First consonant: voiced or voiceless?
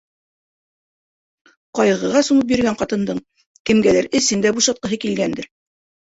voiceless